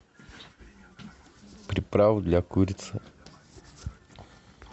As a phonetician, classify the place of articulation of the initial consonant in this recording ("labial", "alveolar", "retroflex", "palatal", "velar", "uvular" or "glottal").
labial